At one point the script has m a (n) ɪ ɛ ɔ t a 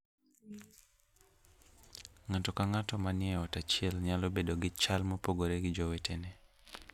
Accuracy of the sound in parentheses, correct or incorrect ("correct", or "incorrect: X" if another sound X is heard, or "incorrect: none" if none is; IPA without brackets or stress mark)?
correct